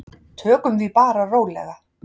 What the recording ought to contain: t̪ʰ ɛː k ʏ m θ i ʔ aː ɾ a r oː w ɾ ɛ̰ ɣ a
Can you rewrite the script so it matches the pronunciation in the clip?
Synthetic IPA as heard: t̪ʰ œː k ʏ m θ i p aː ɾ a r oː w l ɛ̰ ɣ a